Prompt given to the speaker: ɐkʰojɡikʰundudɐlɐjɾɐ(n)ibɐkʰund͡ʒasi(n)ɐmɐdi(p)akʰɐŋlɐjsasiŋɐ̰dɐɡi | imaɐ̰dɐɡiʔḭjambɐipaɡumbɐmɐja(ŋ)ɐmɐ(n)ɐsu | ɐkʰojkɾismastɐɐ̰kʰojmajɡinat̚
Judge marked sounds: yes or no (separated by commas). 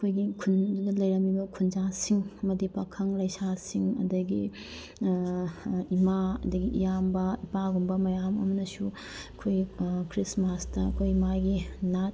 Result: no, no, yes, no, yes